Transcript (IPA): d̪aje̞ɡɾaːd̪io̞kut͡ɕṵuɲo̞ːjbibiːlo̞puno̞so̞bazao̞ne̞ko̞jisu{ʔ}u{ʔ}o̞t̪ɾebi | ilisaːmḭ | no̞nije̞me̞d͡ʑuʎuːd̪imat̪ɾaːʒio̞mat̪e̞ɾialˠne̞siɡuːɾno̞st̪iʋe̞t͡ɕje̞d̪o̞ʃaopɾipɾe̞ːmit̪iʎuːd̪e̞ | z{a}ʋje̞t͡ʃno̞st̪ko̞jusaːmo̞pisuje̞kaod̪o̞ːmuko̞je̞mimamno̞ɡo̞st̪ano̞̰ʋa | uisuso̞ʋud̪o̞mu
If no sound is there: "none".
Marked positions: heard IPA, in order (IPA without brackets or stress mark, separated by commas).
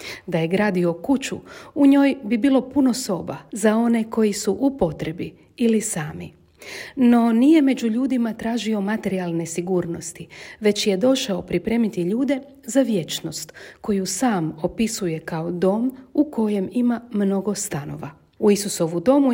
ʔ, p, a